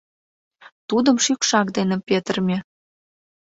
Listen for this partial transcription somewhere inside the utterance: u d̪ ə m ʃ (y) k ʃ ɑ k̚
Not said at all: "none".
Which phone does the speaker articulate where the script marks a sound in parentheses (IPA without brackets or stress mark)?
y